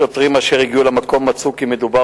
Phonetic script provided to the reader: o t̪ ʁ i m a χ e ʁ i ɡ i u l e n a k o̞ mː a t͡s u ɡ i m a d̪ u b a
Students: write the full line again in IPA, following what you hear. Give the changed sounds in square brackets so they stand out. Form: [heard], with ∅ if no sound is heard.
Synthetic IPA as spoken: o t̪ ʁ i m a [ʃ] e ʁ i ɡ i u l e [m] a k o̞ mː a t͡s u [k] i m [e] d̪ u b a